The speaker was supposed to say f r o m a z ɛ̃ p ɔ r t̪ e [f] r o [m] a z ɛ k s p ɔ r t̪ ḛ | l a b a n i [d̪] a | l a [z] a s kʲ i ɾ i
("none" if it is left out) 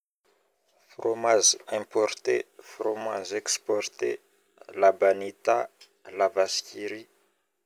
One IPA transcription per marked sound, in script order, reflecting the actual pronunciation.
f, m, t̪, v

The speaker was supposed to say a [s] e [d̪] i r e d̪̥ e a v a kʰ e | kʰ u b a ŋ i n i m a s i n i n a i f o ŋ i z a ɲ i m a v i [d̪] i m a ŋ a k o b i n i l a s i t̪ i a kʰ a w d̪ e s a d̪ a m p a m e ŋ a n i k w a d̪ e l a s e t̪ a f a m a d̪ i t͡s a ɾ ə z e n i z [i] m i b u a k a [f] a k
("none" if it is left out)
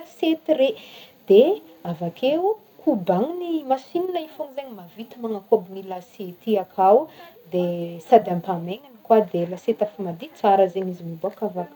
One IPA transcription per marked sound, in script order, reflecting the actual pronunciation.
s, t̪, t̪, i, v

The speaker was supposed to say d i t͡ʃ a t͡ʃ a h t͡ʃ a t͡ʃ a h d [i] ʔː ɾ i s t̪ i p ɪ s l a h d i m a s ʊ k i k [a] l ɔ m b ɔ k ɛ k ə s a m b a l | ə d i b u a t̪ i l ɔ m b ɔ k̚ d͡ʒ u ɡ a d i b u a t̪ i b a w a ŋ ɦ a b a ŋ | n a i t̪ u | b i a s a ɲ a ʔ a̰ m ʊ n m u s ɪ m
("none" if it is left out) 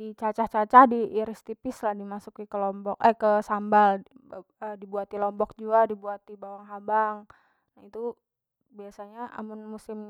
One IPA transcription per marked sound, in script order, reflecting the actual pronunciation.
i, ə

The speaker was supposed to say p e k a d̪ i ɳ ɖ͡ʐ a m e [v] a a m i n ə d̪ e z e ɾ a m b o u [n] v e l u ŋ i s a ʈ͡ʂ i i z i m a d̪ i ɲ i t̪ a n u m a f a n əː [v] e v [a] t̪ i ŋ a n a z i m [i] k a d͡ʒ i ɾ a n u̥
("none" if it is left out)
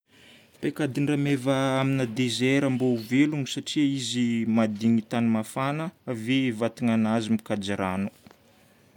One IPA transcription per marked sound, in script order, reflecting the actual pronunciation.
v, none, v, a, i

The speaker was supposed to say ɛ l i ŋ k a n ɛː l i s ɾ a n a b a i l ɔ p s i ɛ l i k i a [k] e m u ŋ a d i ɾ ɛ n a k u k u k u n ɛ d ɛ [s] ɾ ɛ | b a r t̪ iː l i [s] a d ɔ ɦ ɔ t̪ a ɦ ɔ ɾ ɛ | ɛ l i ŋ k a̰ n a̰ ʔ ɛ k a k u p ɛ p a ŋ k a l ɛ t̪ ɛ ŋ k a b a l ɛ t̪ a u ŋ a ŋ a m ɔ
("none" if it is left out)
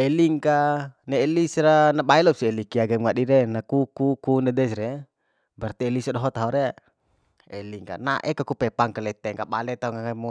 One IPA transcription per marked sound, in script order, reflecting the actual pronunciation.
ɡ, s, s

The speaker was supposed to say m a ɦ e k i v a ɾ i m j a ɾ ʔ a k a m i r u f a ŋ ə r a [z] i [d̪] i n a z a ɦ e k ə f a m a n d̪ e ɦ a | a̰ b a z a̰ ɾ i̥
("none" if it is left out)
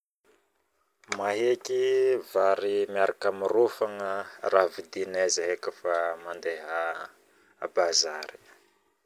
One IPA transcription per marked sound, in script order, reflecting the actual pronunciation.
v, d̪

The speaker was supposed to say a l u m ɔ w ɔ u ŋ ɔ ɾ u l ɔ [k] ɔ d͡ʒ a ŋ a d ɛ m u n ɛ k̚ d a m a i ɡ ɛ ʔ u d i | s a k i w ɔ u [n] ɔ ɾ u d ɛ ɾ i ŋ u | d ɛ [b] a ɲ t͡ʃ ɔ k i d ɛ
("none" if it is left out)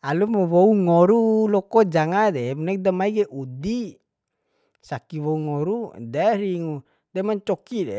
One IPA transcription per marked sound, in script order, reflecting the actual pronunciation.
k, ŋ, m

